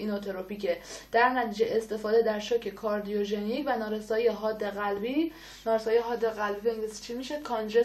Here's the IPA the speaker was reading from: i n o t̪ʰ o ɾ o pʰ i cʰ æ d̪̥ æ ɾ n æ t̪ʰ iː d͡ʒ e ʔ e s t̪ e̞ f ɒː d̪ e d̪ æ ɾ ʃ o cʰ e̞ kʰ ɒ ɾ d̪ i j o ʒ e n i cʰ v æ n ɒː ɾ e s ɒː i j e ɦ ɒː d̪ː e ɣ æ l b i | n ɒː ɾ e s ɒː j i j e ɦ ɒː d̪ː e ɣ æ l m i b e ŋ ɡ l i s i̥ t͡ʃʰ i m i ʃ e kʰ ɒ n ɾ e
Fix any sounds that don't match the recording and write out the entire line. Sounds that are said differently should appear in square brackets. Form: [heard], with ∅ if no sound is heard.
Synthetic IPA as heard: i n o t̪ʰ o ɾ o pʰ i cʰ [e] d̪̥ æ ɾ n æ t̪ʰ iː d͡ʒ e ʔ e s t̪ e̞ f ɒː d̪ e d̪ æ ɾ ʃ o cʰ e̞ kʰ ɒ ɾ d̪ i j o ʒ e n i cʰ v æ n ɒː ɾ e s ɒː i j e ɦ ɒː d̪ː e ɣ æ l b i | n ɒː ɾ e s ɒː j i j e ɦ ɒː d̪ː e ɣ æ l [b] i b e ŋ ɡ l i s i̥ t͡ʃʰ i m i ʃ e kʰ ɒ n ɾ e